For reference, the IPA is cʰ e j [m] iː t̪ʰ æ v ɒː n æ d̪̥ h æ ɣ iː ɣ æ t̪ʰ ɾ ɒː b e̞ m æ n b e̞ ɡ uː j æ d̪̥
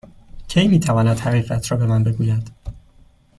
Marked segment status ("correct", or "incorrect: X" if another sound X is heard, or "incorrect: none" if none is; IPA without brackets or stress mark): correct